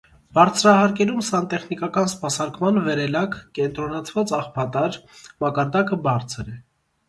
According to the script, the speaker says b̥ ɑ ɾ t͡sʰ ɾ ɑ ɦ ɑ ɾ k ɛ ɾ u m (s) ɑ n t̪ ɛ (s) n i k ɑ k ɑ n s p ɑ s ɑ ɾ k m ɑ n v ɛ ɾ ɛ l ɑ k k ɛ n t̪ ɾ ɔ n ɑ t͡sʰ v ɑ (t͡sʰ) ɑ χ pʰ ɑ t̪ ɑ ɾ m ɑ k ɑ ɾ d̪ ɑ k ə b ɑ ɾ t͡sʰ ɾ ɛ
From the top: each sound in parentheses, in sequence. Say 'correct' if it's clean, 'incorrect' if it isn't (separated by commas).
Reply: correct, incorrect, incorrect